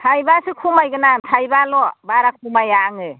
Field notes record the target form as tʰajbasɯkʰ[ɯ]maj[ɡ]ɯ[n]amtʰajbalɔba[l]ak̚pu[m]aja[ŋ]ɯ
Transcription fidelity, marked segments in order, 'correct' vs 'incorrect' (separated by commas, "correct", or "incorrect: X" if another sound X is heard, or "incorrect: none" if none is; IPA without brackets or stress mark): incorrect: u, correct, correct, incorrect: ɾ, correct, correct